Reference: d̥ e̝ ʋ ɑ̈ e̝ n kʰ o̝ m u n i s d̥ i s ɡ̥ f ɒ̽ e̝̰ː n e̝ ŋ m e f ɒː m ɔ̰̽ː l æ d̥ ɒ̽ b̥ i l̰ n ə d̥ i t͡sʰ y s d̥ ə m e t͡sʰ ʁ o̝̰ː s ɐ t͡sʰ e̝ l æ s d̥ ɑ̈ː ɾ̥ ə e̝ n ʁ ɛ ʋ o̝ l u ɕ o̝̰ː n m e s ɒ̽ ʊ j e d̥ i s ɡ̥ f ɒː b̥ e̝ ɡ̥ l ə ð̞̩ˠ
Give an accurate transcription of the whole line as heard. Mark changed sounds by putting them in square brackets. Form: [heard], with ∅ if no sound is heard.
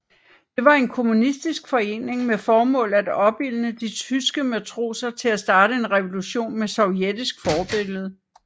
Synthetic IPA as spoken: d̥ e̝ ʋ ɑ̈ e̝ n kʰ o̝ m u n i s d̥ i s ɡ̥ f ɒ̽ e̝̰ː n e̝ ŋ m e f ɒː m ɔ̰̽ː l æ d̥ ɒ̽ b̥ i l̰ n ə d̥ i t͡sʰ y s [ɡ̥] ə m [æ] t͡sʰ ʁ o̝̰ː s ɐ t͡sʰ e̝ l æ s d̥ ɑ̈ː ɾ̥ ə e̝ n ʁ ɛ ʋ o̝ l u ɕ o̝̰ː n m e s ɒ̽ ʊ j e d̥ i s ɡ̥ f ɒː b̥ e̝ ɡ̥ l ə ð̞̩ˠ

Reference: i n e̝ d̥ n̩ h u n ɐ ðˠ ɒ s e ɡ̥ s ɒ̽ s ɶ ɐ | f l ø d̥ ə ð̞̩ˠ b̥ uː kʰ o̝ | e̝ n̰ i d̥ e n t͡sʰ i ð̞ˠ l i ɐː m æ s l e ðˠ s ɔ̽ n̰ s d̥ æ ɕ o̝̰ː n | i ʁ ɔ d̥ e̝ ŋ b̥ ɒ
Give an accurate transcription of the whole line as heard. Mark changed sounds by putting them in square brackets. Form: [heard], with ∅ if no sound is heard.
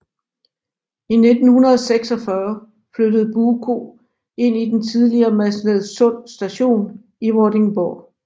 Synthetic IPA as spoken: i n e̝ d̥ n̩ h u n ɐ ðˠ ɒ s e ɡ̥ s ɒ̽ [f] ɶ ɐ | f l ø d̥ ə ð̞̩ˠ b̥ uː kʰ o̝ | e̝ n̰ i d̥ e n t͡sʰ i ð̞ˠ l i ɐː m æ s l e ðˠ s ɔ̽ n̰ s d̥ æ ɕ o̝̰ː n | i ʁ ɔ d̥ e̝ ŋ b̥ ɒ

